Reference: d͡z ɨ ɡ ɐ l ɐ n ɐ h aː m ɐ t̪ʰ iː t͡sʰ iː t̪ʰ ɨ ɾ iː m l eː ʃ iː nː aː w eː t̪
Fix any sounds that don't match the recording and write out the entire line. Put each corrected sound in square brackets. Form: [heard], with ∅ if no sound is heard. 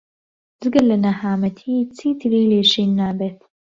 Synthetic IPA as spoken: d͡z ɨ ɡ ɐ l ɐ n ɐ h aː m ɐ t̪ʰ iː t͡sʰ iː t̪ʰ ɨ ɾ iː [∅] l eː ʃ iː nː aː [b] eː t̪